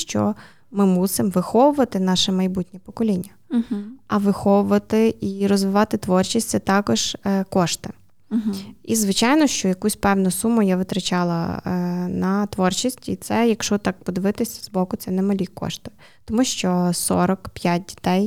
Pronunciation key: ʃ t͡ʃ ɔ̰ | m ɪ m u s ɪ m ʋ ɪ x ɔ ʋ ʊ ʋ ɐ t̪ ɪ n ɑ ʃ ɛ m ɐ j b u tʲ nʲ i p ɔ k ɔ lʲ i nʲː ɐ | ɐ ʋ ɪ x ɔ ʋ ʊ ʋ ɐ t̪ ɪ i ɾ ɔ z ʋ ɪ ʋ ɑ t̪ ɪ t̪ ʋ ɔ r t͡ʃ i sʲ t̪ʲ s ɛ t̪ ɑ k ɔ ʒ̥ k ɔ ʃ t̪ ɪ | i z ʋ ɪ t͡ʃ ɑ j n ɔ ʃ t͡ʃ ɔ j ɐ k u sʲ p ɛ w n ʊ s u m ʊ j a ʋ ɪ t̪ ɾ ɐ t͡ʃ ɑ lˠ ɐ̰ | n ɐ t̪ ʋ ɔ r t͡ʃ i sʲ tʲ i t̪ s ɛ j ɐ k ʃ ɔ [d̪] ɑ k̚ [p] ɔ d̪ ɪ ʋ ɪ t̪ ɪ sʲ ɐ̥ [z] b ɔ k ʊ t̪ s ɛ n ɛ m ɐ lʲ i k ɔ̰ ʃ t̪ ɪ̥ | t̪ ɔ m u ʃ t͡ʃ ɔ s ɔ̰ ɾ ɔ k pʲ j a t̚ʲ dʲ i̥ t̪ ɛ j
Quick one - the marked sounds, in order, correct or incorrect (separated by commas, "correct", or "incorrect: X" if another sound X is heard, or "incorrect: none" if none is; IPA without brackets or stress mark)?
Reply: incorrect: t̪, correct, correct